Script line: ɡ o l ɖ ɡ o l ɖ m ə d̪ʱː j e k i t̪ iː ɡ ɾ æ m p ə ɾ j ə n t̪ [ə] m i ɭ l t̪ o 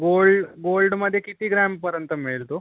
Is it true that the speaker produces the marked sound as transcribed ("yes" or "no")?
yes